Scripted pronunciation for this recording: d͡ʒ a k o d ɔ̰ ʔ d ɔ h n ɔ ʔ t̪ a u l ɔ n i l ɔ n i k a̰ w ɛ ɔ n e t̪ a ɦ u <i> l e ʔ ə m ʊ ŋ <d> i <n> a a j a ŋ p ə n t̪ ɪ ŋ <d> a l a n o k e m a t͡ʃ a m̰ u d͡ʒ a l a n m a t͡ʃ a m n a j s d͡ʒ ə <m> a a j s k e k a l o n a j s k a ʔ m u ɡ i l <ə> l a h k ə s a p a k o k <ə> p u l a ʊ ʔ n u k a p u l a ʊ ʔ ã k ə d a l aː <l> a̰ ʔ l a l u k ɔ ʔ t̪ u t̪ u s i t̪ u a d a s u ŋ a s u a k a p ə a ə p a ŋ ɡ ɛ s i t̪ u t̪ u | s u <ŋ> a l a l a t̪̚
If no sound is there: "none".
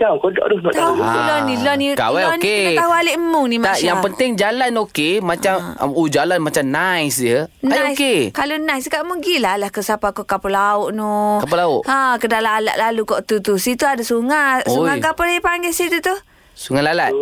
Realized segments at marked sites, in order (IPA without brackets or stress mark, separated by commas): a, n, m, d͡ʒ, n, a, a, l, ŋ